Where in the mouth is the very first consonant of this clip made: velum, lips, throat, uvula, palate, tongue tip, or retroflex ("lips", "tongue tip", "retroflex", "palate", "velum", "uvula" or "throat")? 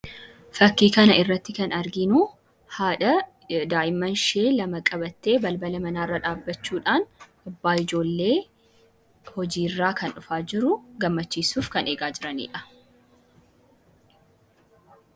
lips